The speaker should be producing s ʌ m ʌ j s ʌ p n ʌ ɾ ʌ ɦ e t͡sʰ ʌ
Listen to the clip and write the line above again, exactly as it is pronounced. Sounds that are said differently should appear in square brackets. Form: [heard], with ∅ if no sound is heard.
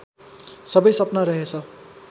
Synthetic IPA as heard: s ʌ [b] ʌ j s ʌ p n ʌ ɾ ʌ ɦ e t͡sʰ ʌ